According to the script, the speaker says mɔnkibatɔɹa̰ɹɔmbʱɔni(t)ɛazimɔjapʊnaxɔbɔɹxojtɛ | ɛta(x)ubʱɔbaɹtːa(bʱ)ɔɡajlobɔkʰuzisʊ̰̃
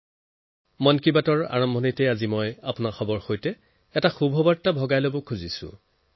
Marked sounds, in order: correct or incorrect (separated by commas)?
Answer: correct, correct, correct